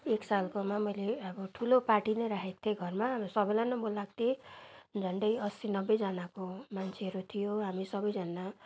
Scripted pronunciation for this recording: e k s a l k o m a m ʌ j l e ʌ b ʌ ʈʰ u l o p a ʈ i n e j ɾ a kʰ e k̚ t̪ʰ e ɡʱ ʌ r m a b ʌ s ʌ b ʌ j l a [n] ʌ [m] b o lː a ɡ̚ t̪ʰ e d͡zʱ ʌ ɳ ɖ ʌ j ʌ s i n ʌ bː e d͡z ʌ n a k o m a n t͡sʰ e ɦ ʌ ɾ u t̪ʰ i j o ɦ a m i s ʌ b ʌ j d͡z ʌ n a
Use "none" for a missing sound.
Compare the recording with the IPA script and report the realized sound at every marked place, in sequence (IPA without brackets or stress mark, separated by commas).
n, m